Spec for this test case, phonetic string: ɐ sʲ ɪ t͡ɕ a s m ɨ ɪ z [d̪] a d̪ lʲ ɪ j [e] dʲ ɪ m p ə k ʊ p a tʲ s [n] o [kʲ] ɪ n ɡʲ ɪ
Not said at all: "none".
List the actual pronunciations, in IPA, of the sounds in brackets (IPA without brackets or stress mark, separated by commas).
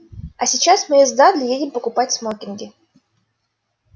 d̪, e, m, kʲ